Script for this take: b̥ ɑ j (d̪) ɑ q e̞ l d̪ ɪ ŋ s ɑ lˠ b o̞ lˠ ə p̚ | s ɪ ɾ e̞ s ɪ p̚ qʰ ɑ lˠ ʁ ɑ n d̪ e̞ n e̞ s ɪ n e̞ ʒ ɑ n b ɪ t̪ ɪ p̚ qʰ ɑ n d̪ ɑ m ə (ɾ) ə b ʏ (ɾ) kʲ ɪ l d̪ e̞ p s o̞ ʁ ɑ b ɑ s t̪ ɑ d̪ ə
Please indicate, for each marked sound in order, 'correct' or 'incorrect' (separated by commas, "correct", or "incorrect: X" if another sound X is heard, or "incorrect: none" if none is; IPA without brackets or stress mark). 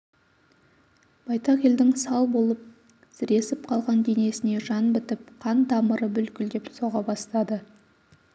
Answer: incorrect: t̪, correct, incorrect: l